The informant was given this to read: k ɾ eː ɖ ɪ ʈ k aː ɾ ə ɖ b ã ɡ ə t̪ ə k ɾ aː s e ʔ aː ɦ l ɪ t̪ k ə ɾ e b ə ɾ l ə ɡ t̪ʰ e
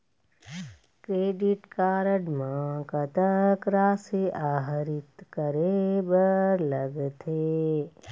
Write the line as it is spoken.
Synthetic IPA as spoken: k ɾ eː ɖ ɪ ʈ k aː ɾ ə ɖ m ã k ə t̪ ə k ɾ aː s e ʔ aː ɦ ɾ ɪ t̪ k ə ɾ e b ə ɾ l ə ɡ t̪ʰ e